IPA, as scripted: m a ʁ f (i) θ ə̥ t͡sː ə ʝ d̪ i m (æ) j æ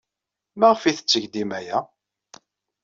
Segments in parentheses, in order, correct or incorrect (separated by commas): correct, correct